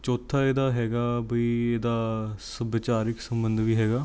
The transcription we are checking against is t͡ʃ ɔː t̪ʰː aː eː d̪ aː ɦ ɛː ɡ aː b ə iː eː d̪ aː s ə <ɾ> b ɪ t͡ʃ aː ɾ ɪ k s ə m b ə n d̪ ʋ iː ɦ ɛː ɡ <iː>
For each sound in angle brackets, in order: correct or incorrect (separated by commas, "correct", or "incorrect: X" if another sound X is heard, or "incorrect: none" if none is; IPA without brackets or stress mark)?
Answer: incorrect: none, incorrect: aː